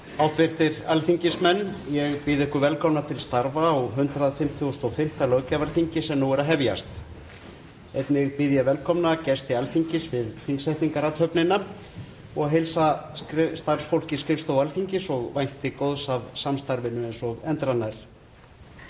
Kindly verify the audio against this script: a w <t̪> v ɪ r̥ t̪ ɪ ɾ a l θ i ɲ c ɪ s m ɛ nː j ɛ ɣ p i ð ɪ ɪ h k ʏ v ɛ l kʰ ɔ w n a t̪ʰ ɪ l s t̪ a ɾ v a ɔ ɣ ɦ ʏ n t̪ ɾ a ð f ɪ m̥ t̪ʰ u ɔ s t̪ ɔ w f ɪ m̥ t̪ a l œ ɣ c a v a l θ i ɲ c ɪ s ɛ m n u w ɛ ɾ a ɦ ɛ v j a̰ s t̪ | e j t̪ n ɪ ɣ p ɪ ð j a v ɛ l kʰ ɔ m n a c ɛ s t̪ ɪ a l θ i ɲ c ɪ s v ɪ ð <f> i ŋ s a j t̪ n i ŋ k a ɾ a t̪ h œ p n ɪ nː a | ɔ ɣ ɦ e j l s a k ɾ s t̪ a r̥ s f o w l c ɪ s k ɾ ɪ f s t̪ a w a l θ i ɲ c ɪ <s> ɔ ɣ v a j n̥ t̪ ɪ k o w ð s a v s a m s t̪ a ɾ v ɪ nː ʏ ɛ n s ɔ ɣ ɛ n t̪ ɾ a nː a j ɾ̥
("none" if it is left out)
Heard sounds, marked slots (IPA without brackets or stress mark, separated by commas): t̪, θ, s